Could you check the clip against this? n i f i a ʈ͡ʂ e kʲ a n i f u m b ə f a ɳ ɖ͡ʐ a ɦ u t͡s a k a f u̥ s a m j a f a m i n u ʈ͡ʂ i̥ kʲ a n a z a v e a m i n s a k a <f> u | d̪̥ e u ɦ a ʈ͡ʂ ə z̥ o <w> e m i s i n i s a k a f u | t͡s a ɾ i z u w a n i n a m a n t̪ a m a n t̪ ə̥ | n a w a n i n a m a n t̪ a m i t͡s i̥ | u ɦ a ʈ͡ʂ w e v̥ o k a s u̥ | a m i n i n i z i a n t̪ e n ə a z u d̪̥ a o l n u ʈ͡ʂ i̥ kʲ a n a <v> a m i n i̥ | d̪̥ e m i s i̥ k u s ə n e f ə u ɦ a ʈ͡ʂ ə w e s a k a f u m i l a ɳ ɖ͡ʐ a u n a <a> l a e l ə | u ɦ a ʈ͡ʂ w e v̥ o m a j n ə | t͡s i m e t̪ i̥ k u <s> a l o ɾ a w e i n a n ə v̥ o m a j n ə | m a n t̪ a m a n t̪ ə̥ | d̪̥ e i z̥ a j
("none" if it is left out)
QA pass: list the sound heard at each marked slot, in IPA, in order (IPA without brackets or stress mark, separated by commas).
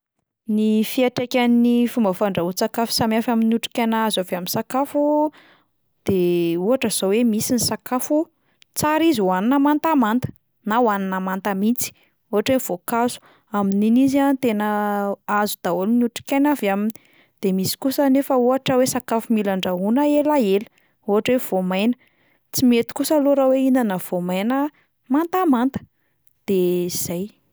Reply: f, w, v, e, s